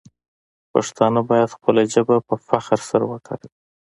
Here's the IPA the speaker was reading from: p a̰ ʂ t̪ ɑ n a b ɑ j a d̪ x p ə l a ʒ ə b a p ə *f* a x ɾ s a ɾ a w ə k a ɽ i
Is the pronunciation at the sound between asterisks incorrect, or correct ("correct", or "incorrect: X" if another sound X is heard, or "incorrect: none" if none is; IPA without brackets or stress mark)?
correct